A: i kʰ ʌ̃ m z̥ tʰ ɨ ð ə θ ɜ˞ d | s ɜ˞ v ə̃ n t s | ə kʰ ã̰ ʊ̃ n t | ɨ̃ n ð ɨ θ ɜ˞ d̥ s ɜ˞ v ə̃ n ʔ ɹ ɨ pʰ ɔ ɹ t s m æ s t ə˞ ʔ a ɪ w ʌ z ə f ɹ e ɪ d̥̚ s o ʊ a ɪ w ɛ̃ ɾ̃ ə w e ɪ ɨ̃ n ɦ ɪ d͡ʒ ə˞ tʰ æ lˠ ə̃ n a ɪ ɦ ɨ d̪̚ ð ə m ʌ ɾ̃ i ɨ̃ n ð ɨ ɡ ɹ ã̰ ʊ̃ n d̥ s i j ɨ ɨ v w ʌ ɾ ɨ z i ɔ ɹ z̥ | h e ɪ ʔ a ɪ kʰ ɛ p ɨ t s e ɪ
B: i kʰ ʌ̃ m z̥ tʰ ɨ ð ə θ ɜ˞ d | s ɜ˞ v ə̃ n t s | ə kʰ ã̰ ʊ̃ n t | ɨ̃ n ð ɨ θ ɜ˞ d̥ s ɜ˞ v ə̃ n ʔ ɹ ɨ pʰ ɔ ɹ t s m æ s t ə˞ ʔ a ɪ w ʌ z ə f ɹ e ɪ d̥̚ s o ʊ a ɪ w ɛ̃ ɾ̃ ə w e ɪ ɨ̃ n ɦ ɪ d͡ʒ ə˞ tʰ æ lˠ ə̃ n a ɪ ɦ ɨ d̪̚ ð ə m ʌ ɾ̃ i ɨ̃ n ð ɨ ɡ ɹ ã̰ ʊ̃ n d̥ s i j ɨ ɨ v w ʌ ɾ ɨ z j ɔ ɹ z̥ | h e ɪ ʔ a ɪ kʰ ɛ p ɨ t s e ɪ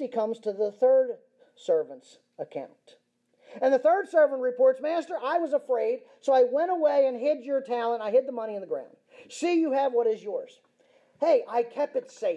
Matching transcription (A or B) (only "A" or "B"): B